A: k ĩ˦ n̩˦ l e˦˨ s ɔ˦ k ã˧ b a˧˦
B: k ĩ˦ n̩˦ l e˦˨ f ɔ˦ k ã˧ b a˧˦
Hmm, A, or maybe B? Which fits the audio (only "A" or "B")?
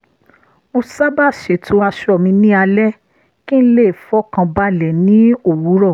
B